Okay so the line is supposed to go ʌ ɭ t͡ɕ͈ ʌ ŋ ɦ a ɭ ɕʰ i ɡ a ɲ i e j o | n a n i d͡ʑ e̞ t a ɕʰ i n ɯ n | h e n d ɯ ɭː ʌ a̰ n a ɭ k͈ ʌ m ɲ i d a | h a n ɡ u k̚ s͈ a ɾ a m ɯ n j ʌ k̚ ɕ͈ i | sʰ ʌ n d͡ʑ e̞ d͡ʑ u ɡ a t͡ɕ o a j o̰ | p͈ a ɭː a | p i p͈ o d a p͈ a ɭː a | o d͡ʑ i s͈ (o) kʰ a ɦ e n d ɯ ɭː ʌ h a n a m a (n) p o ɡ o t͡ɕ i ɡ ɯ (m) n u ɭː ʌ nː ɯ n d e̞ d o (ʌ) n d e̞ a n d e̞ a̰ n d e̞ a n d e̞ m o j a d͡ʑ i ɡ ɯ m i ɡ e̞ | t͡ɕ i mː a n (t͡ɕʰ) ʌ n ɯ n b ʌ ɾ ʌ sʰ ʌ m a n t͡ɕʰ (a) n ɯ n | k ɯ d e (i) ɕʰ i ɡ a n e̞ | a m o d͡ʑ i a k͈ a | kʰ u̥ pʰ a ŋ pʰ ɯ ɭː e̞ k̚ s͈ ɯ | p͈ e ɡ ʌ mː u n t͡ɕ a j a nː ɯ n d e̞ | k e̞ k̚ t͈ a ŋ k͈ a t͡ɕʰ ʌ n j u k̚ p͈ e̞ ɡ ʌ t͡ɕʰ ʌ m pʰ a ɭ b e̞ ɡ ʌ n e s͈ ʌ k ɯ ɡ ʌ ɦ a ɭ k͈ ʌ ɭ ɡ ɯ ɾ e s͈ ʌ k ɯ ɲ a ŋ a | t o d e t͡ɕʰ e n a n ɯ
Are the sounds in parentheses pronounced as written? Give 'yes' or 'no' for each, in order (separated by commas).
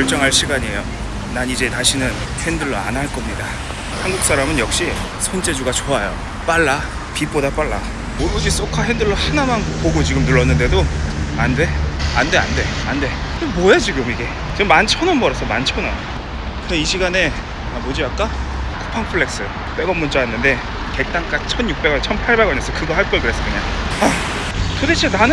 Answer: yes, yes, yes, no, yes, no, yes